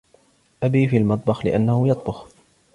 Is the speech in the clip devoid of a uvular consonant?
yes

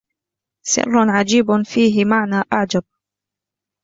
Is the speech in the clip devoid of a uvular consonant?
yes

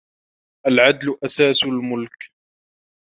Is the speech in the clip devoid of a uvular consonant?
yes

